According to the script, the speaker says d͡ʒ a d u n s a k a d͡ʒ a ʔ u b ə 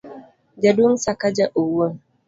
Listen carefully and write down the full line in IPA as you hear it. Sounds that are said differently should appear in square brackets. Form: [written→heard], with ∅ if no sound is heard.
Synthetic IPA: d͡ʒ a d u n s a k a d͡ʒ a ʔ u [b→w] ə